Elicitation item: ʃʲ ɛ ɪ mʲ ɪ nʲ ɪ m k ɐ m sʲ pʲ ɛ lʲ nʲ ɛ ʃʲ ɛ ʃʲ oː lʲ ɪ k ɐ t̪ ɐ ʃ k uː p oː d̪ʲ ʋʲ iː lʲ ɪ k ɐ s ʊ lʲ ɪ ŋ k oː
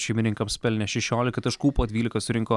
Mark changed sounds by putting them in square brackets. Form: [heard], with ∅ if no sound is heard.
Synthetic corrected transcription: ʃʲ ɛ ɪ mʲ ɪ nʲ ɪ [ŋ] k ɐ m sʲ pʲ ɛ lʲ nʲ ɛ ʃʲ ɛ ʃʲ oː lʲ ɪ k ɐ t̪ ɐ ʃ k uː p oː d̪ʲ ʋʲ iː lʲ ɪ k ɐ s ʊ [ɾʲ] ɪ ŋ k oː